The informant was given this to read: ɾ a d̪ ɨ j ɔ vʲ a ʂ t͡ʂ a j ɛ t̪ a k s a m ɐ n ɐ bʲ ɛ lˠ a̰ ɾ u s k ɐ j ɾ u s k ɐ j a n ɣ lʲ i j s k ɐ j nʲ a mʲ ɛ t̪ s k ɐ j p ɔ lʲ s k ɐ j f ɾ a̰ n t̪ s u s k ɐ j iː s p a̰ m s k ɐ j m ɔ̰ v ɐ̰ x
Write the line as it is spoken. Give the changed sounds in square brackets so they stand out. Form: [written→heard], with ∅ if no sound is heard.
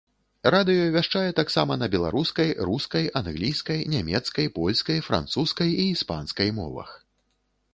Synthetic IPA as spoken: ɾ a d̪ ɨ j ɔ vʲ a ʂ t͡ʂ a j ɛ t̪ a k s a m ɐ n ɐ bʲ ɛ lˠ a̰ ɾ u s k ɐ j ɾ u s k ɐ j a n ɣ lʲ i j s k ɐ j nʲ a mʲ ɛ t̪ s k ɐ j p ɔ lʲ s k ɐ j f ɾ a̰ n t̪ s u s k ɐ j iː s p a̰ [m→n] s k ɐ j m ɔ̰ v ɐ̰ x